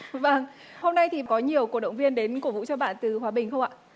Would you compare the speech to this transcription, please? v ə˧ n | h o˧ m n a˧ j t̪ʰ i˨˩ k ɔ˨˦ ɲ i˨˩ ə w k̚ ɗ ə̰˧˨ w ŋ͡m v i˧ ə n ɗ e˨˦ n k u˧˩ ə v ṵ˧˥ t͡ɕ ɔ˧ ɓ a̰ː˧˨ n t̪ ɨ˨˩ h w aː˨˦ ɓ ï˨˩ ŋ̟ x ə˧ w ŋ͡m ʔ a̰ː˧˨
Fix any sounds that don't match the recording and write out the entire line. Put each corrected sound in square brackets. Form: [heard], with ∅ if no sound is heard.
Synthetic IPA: v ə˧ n | h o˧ m n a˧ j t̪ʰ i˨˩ k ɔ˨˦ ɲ i˨˩ ə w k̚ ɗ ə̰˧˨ w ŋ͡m v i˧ ə n ɗ e˨˦ n k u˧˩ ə v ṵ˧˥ t͡ɕ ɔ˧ ɓ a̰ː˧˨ n t̪ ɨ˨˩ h w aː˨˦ ɓ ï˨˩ ŋ̟ x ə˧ w ŋ͡m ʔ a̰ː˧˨